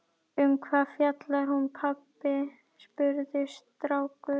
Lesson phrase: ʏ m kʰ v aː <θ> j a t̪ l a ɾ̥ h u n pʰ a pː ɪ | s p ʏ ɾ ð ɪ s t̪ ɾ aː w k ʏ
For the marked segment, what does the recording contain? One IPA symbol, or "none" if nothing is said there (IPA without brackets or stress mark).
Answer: f